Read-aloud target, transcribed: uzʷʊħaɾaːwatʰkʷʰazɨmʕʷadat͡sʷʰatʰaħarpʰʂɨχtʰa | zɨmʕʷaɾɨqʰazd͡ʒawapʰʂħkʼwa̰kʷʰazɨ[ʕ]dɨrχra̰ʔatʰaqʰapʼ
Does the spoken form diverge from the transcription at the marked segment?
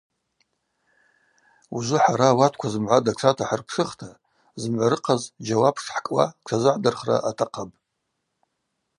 no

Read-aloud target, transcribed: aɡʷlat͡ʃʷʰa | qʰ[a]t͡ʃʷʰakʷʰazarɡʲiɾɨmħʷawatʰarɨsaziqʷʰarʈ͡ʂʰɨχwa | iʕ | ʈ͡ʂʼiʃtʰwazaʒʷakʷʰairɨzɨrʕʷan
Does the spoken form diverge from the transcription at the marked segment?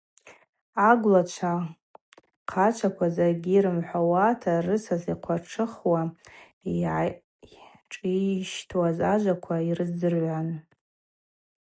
no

